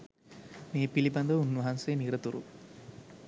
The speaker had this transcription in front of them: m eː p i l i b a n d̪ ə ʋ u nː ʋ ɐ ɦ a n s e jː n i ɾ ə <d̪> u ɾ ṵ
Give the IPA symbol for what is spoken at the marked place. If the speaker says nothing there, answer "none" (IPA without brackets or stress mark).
t̪